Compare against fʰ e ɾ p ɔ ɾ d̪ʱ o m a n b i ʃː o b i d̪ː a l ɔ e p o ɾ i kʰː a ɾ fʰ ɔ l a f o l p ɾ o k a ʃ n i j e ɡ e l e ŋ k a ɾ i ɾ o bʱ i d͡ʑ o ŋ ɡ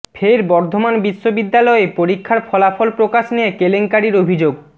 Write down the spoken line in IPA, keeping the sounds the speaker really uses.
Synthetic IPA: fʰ e ɾ b ɔ ɾ d̪ʱ o m a n b i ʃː o b i d̪ː a l ɔ e p o ɾ i kʰː a ɾ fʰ ɔ l a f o l p ɾ o k a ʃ n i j e k e l e ŋ k a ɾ i ɾ o bʱ i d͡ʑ o ɡ